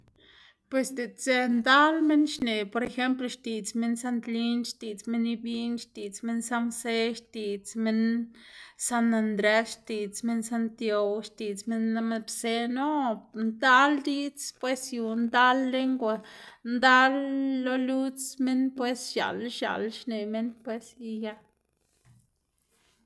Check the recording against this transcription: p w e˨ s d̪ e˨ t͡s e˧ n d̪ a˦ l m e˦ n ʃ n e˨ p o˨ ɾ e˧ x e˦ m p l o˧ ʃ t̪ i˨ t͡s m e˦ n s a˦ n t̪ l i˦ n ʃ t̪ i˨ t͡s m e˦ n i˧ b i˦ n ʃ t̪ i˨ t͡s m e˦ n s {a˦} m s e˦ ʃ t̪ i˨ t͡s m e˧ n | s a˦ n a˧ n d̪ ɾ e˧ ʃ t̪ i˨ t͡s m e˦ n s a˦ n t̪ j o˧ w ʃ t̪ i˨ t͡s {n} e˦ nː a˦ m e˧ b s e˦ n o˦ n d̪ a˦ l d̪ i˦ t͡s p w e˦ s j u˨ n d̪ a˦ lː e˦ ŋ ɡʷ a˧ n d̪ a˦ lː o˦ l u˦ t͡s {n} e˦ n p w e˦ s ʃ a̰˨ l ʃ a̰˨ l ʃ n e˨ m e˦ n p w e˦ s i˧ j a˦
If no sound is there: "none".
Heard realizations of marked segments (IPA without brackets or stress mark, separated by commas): a˦, m, m